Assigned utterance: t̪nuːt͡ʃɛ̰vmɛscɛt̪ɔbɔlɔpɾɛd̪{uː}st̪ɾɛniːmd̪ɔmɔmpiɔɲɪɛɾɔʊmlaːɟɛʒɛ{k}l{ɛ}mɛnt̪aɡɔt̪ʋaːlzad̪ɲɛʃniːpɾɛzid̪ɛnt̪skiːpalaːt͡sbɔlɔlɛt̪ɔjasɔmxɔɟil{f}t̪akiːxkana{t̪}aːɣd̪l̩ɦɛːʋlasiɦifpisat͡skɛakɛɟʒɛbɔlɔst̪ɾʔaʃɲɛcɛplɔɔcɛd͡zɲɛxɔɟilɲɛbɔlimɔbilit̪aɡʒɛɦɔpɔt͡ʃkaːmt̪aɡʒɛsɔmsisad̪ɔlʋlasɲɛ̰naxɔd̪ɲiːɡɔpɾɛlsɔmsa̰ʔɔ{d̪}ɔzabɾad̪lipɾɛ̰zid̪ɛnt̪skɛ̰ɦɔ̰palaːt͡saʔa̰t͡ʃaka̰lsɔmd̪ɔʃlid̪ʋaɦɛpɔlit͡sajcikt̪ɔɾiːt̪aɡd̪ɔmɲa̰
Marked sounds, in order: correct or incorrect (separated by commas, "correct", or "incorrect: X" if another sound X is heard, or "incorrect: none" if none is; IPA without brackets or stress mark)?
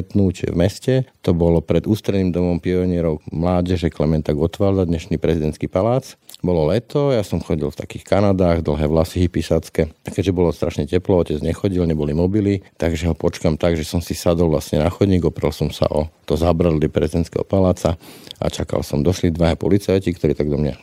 correct, correct, correct, correct, incorrect: d̪, incorrect: t̪